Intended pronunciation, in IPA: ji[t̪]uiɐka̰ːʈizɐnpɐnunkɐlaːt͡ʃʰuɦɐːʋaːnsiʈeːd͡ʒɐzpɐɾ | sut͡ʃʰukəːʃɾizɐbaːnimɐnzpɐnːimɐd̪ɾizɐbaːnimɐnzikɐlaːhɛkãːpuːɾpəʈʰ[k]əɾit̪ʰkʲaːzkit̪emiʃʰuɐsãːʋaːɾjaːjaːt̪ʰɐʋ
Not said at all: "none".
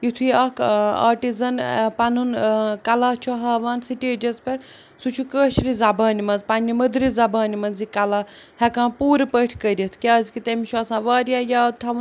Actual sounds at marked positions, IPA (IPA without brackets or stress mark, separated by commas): t̪ʰ, k